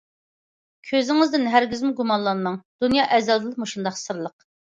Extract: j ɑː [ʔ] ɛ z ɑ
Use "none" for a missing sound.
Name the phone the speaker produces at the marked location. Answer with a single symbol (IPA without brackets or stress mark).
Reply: ʔ